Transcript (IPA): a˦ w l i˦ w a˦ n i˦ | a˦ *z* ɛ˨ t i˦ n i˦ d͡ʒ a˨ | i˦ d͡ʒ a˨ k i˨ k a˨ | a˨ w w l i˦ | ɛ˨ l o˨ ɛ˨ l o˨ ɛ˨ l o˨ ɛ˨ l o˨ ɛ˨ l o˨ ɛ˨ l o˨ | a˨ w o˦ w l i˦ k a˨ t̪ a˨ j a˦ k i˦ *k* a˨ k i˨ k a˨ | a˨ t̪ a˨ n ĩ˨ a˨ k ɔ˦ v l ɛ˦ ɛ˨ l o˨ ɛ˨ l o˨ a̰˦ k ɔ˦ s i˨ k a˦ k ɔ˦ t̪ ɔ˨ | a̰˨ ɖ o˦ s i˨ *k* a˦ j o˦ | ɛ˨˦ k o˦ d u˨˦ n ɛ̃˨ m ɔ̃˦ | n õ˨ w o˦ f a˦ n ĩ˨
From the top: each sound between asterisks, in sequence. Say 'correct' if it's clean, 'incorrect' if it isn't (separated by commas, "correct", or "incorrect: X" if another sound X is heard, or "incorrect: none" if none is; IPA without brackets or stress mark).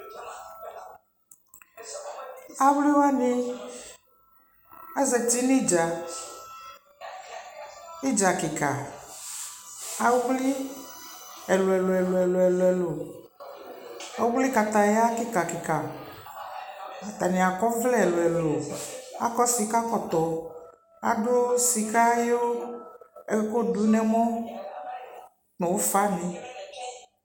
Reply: correct, correct, correct